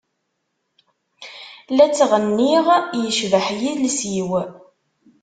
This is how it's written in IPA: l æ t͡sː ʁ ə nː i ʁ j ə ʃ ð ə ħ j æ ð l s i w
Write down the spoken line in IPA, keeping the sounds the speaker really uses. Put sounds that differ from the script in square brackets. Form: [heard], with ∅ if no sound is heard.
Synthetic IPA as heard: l æ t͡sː ʁ ə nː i ʁ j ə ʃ [v] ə ħ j [i] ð l s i w